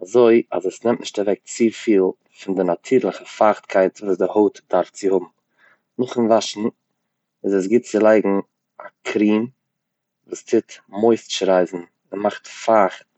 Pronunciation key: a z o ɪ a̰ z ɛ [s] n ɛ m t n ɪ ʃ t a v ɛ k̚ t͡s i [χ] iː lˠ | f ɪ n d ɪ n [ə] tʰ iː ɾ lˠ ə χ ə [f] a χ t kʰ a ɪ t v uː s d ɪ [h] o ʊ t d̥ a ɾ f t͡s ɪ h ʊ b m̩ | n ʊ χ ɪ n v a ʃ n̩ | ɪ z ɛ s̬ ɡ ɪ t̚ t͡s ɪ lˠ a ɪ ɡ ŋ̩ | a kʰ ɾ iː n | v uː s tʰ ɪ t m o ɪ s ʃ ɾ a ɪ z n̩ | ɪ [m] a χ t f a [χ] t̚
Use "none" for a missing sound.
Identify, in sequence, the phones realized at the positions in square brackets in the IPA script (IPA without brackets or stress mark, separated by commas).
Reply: s, f, a, f, h, m, χ